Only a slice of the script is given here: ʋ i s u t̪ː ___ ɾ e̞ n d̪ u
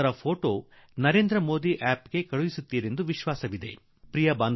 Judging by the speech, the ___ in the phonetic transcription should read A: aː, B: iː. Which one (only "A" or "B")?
B